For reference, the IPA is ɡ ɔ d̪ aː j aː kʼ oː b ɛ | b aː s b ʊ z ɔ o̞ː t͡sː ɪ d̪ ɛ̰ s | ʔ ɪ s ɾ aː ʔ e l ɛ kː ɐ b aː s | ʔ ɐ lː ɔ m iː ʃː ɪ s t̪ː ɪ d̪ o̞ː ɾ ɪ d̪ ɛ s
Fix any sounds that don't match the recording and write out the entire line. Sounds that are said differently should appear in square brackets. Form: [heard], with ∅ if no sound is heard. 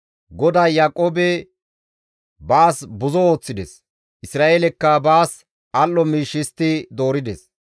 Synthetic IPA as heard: ɡ ɔ d̪ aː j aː kʼ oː b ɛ | b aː s b ʊ z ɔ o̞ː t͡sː ɪ d̪ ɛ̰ s | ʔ ɪ s ɾ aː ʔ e l ɛ kː ɐ b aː s | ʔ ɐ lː ɔ m iː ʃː ɪ s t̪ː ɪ d̪ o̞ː ɾ ɪ d̪ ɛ s